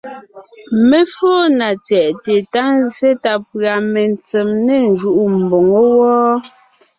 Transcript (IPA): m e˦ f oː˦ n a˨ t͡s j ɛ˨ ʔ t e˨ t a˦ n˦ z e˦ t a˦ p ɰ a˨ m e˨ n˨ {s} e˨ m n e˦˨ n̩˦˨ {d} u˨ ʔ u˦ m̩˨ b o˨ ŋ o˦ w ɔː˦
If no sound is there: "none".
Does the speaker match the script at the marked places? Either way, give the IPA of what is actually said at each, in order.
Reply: t͡s, d͡ʒ

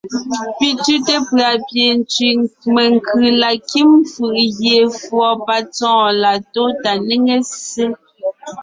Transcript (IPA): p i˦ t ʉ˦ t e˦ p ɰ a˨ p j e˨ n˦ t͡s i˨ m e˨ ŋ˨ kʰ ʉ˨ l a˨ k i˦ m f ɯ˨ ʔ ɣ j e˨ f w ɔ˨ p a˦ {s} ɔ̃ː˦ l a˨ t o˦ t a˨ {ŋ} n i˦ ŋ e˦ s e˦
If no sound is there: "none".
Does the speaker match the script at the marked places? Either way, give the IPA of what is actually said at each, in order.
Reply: t͡s, none

